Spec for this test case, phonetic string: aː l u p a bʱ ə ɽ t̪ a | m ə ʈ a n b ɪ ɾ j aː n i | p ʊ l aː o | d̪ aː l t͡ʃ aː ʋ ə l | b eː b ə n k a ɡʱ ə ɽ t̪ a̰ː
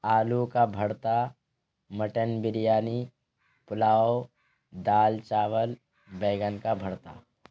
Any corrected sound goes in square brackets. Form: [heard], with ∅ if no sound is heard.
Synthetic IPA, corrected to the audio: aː l u [k] a bʱ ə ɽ t̪ a | m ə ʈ [ə] n b ɪ ɾ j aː n i | p ʊ l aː o | d̪ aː l t͡ʃ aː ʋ ə l | b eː [ɡ] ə n k a [bʱ] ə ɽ t̪ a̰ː